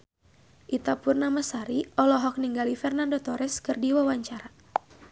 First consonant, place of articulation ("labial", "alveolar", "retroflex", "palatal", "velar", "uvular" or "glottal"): glottal